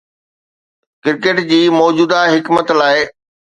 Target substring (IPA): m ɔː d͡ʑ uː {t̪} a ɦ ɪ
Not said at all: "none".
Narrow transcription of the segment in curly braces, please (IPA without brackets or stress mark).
d̪